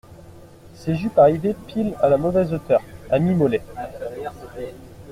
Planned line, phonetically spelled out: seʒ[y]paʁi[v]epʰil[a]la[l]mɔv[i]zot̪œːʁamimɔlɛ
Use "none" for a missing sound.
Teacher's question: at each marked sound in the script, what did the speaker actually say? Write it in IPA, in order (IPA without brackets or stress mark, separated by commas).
y, v, a, none, ɛ